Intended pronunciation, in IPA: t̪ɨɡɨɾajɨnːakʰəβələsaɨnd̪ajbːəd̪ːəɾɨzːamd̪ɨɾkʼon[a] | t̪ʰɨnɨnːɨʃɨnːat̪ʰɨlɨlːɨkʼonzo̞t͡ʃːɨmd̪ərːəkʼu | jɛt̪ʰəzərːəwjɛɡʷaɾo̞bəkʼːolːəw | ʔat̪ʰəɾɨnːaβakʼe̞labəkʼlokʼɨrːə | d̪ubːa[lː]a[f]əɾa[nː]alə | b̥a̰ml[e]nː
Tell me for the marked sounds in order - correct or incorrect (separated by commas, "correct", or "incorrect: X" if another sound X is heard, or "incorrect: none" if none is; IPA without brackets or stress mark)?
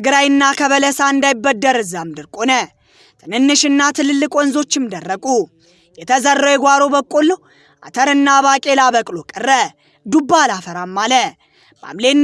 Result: incorrect: ə, incorrect: l, correct, incorrect: mː, correct